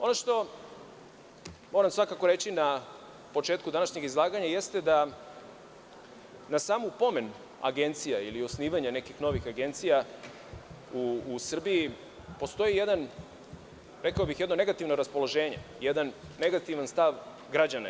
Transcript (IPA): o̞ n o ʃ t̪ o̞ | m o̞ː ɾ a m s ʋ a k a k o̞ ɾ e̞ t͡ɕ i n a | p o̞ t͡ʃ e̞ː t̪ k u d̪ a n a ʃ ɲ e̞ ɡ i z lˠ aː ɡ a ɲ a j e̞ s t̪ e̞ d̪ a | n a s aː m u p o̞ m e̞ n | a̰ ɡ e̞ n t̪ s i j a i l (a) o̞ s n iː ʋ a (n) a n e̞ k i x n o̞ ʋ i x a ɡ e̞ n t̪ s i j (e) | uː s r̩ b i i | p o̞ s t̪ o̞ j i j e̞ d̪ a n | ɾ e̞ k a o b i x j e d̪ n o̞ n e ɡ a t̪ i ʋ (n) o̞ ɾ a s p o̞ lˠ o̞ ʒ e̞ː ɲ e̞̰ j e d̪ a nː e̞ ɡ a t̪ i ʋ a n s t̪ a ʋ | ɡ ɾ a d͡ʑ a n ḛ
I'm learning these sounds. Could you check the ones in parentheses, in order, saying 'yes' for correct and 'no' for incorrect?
no, no, no, yes

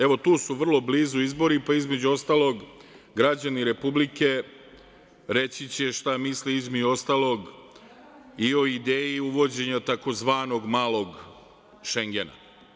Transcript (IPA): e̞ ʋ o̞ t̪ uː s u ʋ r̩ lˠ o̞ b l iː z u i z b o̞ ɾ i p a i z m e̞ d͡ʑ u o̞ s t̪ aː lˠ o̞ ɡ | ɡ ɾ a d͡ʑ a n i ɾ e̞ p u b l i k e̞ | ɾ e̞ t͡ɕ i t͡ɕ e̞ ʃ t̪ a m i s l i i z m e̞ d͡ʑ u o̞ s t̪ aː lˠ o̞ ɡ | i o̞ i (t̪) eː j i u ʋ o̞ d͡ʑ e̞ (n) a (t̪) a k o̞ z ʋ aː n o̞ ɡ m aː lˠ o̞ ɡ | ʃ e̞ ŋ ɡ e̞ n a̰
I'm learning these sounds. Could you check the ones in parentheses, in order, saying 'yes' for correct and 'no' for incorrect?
no, no, yes

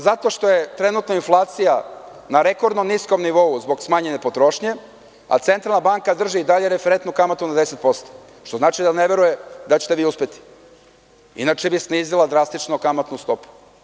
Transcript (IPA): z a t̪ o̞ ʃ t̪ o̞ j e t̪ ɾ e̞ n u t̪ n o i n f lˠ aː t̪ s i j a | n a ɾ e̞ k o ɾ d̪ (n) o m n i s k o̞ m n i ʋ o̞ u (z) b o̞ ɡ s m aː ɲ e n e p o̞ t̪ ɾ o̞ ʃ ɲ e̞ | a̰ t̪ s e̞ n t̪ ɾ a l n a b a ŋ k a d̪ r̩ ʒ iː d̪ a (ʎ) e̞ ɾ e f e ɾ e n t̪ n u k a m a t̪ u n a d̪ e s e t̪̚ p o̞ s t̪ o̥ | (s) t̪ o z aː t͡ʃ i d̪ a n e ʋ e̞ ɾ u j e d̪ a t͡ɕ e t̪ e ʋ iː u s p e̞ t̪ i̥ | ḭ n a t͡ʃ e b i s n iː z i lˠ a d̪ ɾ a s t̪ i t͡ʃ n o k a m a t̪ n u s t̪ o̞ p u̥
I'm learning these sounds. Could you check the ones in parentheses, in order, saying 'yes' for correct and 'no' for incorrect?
yes, yes, yes, no

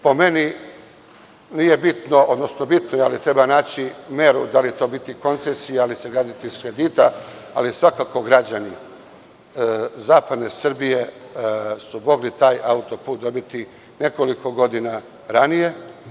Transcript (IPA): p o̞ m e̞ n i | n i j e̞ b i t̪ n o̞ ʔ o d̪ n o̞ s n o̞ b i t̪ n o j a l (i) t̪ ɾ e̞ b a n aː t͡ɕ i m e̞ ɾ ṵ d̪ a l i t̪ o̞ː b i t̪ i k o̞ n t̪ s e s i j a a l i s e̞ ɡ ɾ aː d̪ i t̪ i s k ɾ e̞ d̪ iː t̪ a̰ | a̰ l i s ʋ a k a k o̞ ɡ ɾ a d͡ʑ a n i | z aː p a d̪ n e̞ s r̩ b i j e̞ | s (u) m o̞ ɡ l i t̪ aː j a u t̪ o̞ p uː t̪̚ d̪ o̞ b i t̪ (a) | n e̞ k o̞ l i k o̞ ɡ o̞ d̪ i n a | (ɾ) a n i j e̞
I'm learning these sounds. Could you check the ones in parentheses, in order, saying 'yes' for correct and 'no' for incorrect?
yes, yes, no, yes

